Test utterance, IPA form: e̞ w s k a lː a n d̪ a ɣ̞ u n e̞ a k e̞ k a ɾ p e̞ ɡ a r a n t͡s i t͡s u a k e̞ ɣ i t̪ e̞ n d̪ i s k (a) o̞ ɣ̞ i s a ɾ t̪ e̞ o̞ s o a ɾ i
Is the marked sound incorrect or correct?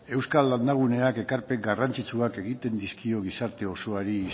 incorrect